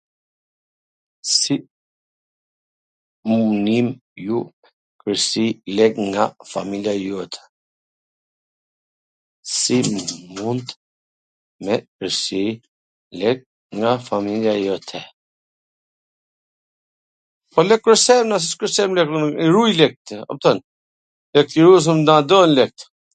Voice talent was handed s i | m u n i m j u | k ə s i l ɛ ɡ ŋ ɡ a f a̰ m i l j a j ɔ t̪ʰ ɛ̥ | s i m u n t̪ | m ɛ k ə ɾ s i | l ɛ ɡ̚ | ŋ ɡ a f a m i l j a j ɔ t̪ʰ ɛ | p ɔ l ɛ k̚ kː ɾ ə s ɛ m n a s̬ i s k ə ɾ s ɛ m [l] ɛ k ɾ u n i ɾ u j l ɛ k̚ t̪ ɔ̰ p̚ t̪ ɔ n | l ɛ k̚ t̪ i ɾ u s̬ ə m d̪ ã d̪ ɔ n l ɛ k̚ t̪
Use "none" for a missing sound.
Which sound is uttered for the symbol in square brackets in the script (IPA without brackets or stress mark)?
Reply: l